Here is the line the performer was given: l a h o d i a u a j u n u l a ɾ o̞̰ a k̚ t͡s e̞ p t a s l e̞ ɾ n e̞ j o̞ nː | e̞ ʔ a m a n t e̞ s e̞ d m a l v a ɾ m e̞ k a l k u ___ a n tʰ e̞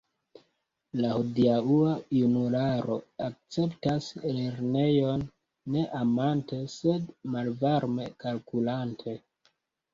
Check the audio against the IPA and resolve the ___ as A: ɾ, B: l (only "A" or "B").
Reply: B